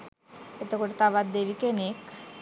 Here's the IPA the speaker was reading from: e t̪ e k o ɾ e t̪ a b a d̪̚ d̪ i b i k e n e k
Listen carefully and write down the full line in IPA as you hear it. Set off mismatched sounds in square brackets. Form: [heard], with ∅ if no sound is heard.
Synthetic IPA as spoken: e t̪ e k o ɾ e t̪ a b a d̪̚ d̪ [e] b i k e n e k